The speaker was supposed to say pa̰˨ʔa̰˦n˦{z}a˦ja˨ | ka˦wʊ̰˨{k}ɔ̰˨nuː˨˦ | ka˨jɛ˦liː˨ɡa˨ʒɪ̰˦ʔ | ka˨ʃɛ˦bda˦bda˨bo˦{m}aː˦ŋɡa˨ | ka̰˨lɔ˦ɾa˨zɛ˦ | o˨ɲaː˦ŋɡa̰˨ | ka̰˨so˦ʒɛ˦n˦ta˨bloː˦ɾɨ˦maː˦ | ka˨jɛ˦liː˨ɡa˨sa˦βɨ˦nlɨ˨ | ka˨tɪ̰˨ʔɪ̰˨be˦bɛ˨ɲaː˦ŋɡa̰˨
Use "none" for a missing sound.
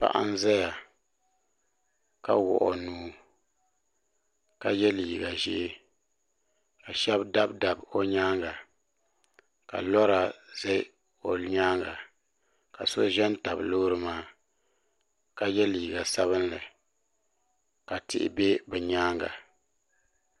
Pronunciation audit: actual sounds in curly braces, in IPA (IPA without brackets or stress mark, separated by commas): z, ʔ, ɲ